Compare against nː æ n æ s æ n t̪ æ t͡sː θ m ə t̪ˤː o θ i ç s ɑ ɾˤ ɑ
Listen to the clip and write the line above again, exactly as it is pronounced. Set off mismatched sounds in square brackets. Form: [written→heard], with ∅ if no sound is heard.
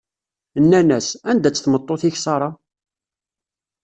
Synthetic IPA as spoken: nː æ n æ s æ n [t̪→d̪] æ t͡sː θ m ə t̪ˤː o θ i ç s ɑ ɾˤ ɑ